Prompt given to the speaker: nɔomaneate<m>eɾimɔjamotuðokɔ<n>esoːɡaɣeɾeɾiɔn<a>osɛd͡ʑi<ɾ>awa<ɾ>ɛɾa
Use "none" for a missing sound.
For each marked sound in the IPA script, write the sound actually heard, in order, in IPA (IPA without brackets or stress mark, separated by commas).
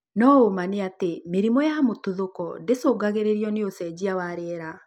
m, d, e, none, ɾ